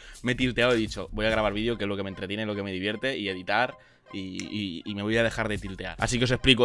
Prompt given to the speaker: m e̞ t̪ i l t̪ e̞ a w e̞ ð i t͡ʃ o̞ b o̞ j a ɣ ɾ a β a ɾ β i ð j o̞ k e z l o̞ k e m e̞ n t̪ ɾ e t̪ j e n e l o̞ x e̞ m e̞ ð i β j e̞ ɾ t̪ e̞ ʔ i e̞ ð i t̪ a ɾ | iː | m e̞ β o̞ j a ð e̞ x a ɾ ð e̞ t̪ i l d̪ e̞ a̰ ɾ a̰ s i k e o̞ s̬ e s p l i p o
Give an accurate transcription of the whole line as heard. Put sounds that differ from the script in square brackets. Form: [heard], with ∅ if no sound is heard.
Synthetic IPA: m e̞ t̪ i l t̪ e̞ a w e̞ ð i t͡ʃ o̞ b o̞ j a ɣ ɾ a β a ɾ β i ð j o̞ k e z l o̞ k e m e̞ n t̪ ɾ e t̪ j e n e l o̞ [k] e̞ m e̞ ð i β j e̞ ɾ t̪ e̞ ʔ i e̞ ð i t̪ a ɾ | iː | m e̞ β o̞ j a ð e̞ x a ɾ ð e̞ t̪ i l [t̪] e̞ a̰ ɾ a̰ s i k e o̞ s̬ e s p l i [k] o